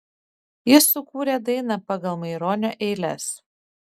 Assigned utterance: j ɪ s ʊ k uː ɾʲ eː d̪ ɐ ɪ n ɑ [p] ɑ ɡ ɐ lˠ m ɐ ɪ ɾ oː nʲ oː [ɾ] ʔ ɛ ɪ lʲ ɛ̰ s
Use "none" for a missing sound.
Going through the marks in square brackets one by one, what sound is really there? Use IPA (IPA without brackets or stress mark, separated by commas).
p, none